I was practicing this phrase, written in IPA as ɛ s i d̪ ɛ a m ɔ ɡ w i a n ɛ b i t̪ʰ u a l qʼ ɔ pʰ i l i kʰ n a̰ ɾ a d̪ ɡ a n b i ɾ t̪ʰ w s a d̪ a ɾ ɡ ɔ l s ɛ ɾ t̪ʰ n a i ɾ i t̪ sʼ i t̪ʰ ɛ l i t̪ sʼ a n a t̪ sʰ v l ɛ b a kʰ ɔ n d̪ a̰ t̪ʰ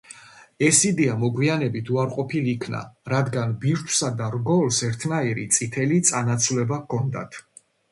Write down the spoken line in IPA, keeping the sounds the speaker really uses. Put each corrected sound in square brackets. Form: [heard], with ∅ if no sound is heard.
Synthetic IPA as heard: ɛ s i d̪ ɛ a m ɔ ɡ w i a n ɛ b i t̪ʰ u a [ɾ] qʼ ɔ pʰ i l i kʰ n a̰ ɾ a d̪ ɡ a n b i ɾ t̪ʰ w s a d̪ a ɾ ɡ ɔ l s ɛ ɾ t̪ʰ n a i ɾ i t̪ sʼ i t̪ʰ ɛ l i t̪ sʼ a n a t̪ sʰ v l ɛ b a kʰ ɔ n d̪ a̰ t̪ʰ